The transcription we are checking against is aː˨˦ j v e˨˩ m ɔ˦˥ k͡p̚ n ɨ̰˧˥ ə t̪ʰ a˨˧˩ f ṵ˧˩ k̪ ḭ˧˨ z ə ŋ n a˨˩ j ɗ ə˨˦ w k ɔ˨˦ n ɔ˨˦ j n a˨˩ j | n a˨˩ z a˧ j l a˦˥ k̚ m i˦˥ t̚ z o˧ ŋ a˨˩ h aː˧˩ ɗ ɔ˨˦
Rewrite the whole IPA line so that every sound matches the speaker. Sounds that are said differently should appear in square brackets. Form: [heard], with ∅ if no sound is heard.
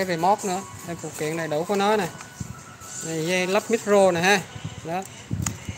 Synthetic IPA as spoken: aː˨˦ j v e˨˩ m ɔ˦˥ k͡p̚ n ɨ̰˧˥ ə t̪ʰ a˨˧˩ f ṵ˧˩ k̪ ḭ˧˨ [∅] ə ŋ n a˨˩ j ɗ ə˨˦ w k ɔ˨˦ n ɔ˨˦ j n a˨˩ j | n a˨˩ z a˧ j l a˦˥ [p̚] m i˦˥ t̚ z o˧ [n] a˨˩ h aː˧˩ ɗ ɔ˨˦